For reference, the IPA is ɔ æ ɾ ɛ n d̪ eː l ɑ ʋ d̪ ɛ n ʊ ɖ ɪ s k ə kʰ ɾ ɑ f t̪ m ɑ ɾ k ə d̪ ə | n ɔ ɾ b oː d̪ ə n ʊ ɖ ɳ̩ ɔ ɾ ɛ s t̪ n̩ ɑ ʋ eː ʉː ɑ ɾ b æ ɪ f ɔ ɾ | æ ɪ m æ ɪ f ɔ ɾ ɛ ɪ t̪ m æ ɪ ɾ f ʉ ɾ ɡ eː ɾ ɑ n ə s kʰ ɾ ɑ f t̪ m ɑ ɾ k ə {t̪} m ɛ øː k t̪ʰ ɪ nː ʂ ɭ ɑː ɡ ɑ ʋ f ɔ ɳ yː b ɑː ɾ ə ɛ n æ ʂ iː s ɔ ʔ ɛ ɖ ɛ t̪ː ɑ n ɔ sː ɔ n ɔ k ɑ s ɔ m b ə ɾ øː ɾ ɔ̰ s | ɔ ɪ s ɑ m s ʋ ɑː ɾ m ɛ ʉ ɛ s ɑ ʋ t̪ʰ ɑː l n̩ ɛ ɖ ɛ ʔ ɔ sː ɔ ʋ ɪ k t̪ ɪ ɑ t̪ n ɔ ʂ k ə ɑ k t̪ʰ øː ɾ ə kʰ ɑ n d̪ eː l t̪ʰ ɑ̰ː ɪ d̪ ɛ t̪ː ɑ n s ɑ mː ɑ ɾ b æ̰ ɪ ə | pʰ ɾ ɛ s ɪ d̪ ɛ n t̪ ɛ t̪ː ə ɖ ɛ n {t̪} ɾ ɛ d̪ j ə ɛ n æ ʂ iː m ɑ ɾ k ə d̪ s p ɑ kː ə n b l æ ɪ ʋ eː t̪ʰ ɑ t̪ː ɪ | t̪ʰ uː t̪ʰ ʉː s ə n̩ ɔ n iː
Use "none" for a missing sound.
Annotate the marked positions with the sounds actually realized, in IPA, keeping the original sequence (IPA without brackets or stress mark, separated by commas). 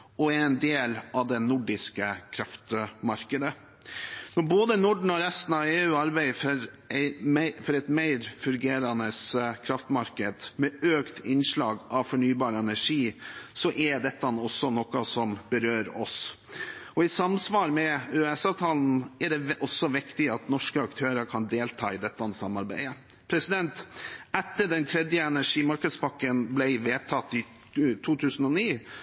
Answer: d̪, t̪ʰ